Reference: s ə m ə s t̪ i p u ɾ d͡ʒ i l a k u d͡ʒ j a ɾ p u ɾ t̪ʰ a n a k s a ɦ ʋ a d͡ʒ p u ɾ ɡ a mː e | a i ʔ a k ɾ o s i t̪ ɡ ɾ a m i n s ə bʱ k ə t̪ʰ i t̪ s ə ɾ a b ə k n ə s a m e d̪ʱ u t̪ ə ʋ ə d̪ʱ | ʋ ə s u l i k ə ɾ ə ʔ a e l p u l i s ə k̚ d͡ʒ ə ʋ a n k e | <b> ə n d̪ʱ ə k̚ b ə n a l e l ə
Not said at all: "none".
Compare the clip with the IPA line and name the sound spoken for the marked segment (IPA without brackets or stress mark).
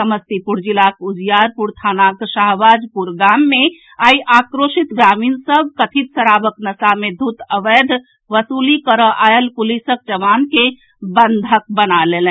b